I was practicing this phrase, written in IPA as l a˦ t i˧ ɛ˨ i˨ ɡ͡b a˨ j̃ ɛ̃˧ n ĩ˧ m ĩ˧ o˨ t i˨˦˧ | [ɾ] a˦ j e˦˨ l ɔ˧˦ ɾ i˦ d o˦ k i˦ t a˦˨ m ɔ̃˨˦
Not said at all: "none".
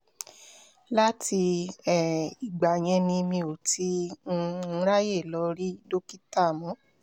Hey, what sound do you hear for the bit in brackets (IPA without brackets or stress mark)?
ɾ